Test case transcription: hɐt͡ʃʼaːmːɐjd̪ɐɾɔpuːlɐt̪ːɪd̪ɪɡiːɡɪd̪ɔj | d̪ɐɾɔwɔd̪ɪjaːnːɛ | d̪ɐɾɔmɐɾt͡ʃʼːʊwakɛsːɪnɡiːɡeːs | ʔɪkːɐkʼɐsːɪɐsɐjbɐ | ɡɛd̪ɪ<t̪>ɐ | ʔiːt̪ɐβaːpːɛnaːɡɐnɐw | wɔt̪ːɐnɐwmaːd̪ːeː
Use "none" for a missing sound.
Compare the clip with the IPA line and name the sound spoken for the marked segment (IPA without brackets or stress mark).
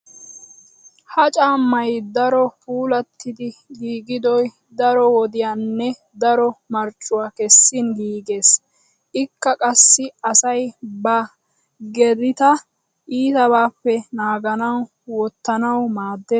t̪